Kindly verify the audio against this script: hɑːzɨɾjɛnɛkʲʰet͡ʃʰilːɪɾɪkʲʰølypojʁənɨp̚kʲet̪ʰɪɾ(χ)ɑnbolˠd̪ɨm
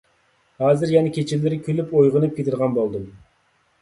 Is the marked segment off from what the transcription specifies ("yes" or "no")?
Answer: yes